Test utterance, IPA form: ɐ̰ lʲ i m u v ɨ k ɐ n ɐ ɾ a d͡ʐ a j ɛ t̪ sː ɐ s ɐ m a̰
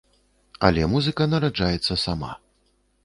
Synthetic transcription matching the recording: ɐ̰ lʲ ɛ m u z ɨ k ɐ n ɐ ɾ a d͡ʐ a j ɛ t̪ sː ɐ s a m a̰